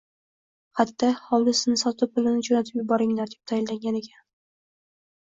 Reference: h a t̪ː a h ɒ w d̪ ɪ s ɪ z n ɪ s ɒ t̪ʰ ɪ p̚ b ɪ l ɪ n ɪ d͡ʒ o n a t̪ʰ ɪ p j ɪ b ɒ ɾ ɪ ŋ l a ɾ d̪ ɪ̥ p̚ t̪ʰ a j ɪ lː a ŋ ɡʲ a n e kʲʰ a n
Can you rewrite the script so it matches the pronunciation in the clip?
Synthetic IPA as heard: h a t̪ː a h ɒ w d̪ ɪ s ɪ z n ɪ s ɒ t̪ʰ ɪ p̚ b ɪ l ɪ n ɪ d͡ʒ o n a t̪ʰ ɪ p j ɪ b ɒ ɾ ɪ ŋ l a ɾ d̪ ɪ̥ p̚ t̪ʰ a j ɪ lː a ŋ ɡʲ a n e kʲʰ a n